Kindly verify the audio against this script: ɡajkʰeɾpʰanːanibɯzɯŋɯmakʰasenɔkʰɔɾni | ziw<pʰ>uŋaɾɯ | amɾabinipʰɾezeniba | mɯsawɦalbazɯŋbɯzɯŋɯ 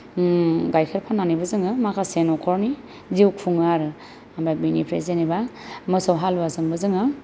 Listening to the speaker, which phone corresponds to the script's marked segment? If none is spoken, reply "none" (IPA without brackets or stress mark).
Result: kʰ